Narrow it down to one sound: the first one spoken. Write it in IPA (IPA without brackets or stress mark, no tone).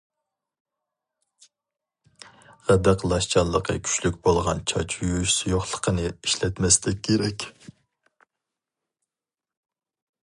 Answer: ʁ